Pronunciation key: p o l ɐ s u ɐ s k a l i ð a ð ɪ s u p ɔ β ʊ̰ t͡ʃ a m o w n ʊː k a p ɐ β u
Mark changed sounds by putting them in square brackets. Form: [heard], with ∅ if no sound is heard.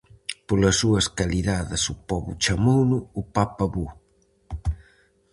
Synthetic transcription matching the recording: p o l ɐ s u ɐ s k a l i ð a ð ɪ s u p ɔ β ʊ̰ t͡ʃ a m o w n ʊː [p] a p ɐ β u